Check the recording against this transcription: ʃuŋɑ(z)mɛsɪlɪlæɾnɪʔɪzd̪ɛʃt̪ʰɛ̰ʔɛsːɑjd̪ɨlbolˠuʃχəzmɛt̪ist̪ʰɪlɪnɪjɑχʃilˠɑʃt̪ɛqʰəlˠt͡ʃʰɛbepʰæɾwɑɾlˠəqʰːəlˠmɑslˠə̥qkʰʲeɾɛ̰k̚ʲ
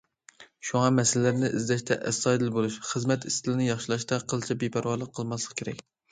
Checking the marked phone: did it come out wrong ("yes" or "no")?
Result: yes